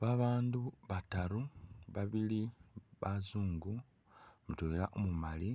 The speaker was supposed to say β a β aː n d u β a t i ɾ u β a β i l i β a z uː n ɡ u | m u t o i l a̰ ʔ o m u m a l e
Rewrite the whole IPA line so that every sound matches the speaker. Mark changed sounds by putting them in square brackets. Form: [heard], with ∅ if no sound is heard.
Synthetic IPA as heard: β a β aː n d u β a t [a] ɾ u β a β i l i β a z uː [ŋ] ɡ u | m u t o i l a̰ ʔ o m u m a l [i]